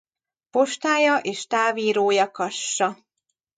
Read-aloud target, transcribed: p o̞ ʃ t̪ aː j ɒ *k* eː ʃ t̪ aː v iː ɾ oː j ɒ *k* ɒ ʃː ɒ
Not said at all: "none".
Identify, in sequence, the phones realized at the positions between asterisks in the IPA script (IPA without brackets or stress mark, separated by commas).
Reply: ʔ, k